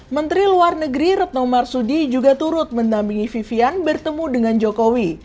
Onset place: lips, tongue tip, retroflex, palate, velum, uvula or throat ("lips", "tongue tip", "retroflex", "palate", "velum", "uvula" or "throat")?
lips